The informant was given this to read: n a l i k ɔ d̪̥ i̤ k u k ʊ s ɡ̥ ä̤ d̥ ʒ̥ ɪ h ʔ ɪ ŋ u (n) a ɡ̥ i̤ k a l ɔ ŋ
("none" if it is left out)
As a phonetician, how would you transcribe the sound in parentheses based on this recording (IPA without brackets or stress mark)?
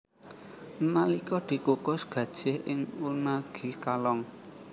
n